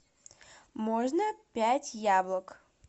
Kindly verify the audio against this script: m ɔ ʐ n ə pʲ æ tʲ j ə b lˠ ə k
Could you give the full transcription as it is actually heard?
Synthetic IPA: m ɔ ʐ n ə pʲ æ tʲ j a b lˠ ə k